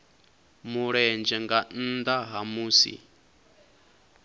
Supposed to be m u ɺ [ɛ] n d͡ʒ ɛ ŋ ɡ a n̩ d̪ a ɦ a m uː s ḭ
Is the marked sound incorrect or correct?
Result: correct